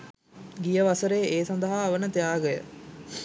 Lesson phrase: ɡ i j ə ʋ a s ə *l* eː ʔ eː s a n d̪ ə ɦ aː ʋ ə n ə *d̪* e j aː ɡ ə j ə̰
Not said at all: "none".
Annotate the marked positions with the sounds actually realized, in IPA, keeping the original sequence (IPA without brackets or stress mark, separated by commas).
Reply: ɾ, t̪